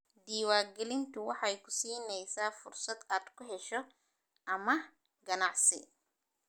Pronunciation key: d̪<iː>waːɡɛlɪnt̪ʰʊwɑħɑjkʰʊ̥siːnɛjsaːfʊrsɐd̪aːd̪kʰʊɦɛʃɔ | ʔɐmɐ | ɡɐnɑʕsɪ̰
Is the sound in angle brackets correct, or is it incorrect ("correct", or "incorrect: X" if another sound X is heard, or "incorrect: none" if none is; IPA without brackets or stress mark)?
correct